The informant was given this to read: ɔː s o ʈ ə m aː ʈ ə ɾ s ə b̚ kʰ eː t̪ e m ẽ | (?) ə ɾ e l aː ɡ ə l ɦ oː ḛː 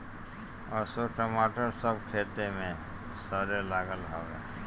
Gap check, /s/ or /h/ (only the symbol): s